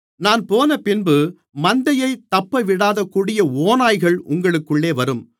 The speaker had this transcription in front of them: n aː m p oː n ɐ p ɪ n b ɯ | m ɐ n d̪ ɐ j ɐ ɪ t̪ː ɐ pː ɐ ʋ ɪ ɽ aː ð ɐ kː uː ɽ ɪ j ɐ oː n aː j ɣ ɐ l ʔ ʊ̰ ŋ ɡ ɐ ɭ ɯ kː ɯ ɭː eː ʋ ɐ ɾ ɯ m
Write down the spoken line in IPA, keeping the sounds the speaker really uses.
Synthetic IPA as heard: n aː n p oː n ɐ p ɪ n b ɯ | m ɐ n d̪ ɐ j ɐ ɪ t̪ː ɐ pː ɐ ʋ ɪ ɽ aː ð ɐ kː uː ɽ ɪ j ɐ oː n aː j ɣ ɐ ɭ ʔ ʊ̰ ŋ ɡ ɐ ɭ ɯ kː ɯ ɭː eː ʋ ɐ ɾ ɯ m